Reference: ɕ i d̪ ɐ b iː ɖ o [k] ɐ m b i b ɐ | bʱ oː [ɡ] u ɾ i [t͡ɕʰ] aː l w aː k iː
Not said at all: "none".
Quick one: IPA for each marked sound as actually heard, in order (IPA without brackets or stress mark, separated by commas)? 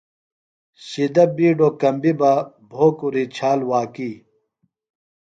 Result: k, k, t͡ɕʰ